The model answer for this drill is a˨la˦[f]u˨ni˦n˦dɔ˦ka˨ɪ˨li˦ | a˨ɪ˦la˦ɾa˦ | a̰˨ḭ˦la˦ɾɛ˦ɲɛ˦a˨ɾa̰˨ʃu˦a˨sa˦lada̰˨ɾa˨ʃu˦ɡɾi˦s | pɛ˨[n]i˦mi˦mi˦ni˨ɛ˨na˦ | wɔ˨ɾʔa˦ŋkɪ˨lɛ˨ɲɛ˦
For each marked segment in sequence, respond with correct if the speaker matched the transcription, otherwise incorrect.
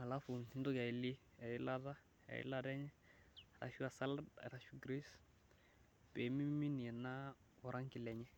correct, incorrect

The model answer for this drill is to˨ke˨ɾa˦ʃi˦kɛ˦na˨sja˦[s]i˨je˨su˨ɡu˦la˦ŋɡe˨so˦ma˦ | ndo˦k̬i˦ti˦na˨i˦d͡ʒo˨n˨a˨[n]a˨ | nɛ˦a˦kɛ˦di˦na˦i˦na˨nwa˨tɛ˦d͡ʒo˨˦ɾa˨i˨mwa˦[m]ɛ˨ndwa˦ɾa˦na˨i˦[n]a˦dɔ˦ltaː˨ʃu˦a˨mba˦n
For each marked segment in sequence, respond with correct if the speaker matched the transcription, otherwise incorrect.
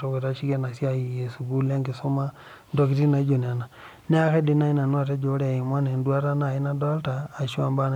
incorrect, correct, incorrect, correct

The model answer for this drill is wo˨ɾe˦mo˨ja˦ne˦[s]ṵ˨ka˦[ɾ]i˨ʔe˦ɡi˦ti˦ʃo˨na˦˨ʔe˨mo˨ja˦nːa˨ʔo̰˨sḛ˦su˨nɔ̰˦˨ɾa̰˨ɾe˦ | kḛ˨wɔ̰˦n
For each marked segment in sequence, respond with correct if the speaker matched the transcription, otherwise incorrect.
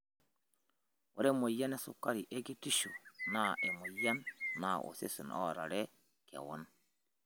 correct, correct

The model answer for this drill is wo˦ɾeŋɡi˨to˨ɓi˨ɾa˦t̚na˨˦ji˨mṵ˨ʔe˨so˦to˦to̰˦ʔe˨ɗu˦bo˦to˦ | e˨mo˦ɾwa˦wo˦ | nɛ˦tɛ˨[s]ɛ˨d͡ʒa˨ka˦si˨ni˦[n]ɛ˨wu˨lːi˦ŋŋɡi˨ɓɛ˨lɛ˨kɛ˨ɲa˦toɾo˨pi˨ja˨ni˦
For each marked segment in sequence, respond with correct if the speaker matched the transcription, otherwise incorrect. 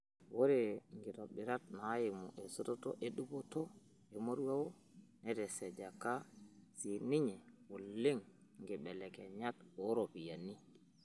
correct, incorrect

